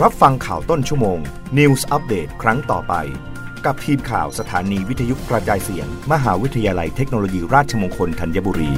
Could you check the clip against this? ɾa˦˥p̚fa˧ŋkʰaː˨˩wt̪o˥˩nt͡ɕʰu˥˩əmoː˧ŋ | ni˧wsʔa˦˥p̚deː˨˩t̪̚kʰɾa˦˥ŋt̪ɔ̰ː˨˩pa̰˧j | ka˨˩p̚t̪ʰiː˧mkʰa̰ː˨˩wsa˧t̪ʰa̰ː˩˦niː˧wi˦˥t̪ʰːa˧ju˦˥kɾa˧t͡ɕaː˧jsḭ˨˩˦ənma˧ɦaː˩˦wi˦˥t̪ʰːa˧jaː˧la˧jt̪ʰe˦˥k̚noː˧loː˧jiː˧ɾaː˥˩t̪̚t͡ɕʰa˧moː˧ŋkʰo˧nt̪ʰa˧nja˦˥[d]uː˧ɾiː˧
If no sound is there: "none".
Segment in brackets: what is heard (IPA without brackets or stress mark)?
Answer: b